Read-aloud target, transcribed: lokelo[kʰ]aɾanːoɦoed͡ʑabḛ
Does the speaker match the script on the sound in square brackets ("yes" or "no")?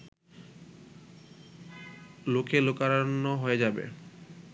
no